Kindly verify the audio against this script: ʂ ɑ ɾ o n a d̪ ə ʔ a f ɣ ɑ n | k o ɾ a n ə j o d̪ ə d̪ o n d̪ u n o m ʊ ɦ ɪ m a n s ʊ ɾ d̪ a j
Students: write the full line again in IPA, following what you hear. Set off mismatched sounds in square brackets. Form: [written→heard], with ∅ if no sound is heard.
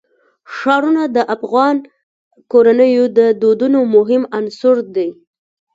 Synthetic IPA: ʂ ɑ ɾ [o→u] n a d̪ ə ʔ a f ɣ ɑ n | k o ɾ a n ə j o d̪ ə d̪ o [n→∅] d̪ u n o m ʊ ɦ ɪ m a n s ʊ ɾ d̪ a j